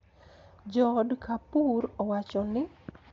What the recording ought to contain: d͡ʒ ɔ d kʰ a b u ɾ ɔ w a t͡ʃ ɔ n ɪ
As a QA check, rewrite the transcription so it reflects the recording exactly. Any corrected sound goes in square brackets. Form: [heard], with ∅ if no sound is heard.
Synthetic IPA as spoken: d͡ʒ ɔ d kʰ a [p] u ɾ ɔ w a t͡ʃ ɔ n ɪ